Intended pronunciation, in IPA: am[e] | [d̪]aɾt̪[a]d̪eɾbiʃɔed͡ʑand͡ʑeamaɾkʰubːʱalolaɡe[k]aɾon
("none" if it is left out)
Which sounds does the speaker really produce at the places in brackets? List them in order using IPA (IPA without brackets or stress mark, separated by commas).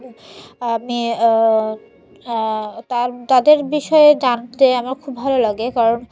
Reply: i, t̪, a, k